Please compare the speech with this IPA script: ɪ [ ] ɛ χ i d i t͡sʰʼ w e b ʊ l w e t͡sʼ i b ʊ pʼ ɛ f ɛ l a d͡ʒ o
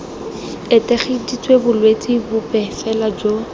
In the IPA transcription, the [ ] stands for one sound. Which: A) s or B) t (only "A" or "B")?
B